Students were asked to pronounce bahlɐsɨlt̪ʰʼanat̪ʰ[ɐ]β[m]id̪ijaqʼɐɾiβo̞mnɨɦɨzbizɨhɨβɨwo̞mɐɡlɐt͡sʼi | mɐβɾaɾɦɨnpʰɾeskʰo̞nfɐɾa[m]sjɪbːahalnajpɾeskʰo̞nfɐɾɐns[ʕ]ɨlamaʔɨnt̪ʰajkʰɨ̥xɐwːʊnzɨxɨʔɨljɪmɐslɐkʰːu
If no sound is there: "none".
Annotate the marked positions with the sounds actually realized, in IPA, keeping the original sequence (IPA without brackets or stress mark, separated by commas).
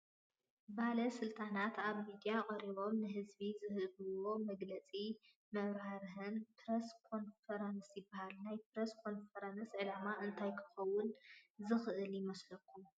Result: a, m, n, ʕ